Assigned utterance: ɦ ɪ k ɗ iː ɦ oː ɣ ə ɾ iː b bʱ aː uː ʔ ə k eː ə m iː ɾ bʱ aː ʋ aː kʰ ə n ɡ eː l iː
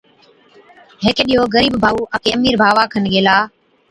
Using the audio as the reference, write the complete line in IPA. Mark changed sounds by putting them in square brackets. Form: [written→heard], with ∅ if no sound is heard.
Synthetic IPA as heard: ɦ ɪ k ɗ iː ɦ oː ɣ ə ɾ iː b bʱ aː uː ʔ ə k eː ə m iː ɾ bʱ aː ʋ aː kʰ ə n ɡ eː l [iː→aː]